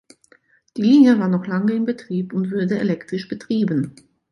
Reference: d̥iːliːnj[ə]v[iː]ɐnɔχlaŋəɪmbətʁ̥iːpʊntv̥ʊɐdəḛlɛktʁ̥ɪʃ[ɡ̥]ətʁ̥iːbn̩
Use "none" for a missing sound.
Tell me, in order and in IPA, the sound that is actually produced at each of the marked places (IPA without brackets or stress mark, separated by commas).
ə, aː, b̥